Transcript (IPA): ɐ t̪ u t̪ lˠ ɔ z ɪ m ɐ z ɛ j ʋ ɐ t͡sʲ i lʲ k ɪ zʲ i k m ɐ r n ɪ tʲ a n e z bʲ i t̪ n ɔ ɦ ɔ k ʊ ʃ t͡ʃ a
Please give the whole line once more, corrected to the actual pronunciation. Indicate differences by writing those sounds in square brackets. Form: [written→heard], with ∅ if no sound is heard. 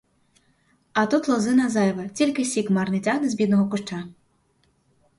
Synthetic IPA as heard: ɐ t̪ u t̪ lˠ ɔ z ɪ [m→n] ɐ z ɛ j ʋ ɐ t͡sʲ i lʲ k ɪ [zʲ→sʲ] i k m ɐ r n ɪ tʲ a n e z bʲ i [t̪→d̪] n ɔ ɦ ɔ k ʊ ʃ t͡ʃ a